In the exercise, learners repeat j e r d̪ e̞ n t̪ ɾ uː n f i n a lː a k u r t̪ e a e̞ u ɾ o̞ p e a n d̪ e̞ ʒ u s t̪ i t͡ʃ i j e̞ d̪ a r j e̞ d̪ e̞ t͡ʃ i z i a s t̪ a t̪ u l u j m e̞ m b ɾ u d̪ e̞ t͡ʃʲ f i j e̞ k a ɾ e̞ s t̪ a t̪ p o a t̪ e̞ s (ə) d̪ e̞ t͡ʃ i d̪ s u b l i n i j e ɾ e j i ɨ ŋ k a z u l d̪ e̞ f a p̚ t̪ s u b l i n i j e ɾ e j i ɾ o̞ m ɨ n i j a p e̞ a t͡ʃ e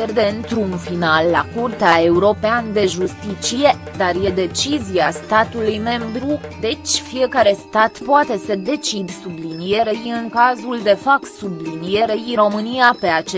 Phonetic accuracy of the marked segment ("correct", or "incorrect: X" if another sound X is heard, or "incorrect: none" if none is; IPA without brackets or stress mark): correct